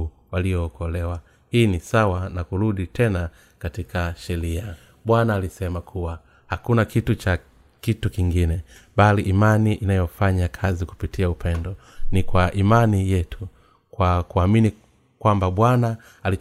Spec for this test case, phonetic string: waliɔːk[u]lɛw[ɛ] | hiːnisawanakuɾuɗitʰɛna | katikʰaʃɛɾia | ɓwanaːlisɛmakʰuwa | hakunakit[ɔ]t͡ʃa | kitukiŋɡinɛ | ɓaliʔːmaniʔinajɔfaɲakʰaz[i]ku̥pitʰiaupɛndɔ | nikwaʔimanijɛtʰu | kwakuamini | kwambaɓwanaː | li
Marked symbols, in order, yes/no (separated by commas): no, no, no, yes